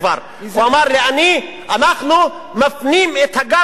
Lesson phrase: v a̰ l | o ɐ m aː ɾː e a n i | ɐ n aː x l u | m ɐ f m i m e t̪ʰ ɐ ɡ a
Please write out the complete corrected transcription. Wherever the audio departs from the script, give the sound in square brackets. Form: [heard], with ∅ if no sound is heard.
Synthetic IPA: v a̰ [ɾ] | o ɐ m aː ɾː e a n i | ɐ n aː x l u | m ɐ f [n] i m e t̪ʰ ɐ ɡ a